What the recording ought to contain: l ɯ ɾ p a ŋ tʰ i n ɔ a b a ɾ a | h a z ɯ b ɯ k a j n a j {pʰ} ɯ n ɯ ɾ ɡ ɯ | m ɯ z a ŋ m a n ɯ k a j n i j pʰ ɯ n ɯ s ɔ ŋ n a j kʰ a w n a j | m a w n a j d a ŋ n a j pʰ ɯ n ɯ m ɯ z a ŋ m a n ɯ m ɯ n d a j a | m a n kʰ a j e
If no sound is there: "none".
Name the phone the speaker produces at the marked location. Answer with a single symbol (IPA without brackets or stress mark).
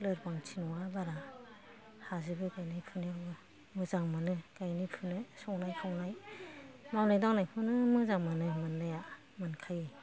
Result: pʰ